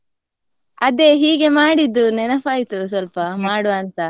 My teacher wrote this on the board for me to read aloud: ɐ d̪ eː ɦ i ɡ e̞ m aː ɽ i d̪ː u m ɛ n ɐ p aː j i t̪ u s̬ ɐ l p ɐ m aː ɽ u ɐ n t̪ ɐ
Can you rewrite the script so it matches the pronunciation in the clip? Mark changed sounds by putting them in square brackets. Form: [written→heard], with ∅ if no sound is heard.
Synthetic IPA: ɐ d̪ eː ɦ [i→iː] ɡ e̞ m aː ɽ i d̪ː u [m→n] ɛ n ɐ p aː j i t̪ u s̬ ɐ l p ɐ m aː ɽ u ɐ n t̪ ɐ

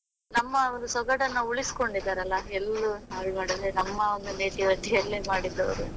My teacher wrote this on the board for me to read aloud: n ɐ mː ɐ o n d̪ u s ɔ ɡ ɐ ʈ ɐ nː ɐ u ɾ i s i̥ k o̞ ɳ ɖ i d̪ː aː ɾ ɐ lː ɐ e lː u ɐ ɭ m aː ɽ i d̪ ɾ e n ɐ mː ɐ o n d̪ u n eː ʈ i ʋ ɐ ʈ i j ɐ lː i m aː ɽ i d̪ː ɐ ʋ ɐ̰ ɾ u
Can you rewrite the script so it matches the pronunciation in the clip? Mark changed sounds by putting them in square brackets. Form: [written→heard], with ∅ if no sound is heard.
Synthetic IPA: n ɐ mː ɐ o n d̪ u s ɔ ɡ ɐ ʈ ɐ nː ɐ u [ɾ→ɭ] i s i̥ k o̞ ɳ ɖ i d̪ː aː ɾ ɐ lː ɐ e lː u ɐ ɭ m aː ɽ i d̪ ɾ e n ɐ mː ɐ o n d̪ u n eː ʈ i ʋ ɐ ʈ i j ɐ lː i m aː ɽ i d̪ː ɐ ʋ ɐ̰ ɾ u

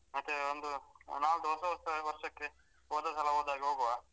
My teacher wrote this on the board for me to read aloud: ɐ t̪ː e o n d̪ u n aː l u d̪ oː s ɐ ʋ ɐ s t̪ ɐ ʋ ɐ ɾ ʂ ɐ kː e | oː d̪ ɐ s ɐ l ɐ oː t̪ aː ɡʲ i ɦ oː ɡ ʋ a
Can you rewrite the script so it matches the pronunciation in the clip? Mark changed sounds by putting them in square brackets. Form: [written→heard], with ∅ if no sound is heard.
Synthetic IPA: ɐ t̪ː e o n d̪ u n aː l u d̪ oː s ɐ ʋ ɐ s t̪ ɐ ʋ ɐ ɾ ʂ ɐ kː e | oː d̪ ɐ s ɐ l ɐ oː [t̪→d̪] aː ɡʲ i ɦ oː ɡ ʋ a

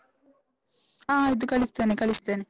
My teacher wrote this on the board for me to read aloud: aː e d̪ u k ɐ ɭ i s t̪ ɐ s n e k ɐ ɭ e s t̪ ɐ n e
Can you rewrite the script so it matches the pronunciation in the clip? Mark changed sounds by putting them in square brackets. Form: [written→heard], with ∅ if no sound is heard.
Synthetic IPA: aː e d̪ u k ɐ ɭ i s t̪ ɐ [s→∅] n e k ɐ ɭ [e→i] s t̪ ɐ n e

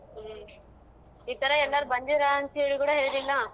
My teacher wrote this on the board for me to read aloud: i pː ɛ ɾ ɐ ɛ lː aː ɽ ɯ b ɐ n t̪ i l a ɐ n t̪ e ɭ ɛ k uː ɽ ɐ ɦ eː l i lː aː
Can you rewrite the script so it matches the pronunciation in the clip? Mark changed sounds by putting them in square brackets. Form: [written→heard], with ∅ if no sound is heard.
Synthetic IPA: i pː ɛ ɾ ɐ ɛ lː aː [ɽ→ɾ] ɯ b ɐ n [t̪→d̪] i [l→ɾ] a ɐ n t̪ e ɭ [ɛ→i] k uː ɽ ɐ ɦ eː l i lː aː

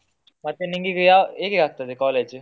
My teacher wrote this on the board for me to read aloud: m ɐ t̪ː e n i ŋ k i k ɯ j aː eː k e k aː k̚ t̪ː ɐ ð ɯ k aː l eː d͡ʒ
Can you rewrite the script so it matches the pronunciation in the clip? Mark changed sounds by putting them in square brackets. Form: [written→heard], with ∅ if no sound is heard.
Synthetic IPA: m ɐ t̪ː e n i ŋ [k→ɡ] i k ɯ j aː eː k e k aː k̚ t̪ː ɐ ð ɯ k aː l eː d͡ʒ

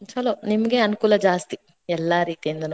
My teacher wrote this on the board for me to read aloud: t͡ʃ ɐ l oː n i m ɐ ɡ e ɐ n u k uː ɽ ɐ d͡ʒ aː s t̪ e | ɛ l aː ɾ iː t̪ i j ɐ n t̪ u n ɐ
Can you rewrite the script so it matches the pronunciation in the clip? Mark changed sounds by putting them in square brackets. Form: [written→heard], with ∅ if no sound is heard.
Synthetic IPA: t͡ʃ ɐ l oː n i m ɐ ɡ e ɐ n u k uː [ɽ→l] ɐ d͡ʒ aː s t̪ [e→i] | ɛ [l→lː] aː ɾ iː t̪ i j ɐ n [t̪→d̪] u n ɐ

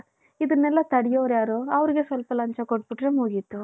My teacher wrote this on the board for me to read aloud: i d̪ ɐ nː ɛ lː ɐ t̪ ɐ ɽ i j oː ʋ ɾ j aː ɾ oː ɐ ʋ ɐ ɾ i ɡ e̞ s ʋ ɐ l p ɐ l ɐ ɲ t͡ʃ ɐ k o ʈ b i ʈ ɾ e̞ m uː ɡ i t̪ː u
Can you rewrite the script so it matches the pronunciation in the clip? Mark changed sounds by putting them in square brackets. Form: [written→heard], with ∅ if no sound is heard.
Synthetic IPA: i d̪ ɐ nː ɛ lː ɐ t̪ ɐ ɽ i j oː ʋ ɾ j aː ɾ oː ɐ ʋ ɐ ɾ i ɡ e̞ s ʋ ɐ l p ɐ l ɐ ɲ t͡ʃ ɐ k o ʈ b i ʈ ɾ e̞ m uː ɡ i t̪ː u

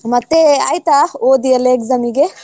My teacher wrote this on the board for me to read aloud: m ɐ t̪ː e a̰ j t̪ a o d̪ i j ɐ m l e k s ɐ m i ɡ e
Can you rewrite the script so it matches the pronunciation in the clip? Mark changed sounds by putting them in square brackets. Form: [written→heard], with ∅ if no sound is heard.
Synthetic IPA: m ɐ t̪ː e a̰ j t̪ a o d̪ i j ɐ [m→∅] l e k [s→z] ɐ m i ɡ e

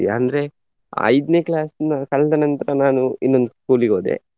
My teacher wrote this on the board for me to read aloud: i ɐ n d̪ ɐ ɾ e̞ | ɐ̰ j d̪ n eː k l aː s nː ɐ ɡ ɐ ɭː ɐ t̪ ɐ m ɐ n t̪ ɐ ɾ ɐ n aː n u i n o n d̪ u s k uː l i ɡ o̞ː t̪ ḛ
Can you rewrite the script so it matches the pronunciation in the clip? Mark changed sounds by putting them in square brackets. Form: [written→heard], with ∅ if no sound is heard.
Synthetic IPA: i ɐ n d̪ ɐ ɾ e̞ | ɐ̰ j d̪ n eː k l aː s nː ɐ [ɡ→k] ɐ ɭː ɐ [t̪→d̪] ɐ [m→n] ɐ n t̪ ɐ ɾ ɐ n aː n u i [n→nː] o n d̪ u s k uː l i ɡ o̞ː [t̪→d̪] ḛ

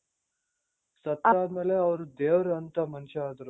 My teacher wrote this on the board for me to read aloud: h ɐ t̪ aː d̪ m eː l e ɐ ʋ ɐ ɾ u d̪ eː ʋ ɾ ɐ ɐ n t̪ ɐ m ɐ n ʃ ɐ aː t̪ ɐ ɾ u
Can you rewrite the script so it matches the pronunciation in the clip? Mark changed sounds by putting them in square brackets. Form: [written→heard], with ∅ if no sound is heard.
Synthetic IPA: [h→s] ɐ t̪ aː d̪ m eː l e ɐ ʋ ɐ ɾ u d̪ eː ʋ ɾ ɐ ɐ n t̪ ɐ m ɐ n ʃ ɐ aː [t̪→d̪] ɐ ɾ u

